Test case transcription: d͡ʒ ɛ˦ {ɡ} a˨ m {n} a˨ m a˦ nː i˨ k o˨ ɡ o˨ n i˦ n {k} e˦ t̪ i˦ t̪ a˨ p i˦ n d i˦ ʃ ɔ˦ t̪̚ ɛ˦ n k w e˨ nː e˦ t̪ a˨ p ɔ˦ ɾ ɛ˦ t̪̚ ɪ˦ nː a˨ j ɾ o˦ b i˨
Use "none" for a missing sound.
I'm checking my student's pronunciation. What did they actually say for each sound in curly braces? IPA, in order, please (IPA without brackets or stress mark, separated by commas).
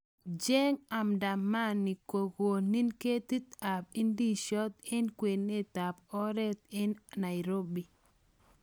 ŋ, d, k